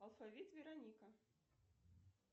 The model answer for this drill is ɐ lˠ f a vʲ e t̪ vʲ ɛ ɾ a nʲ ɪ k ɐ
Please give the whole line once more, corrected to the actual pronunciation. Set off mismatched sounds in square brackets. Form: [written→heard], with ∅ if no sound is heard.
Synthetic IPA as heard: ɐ lˠ f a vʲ [e→i] t̪ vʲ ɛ ɾ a nʲ [ɪ→i] k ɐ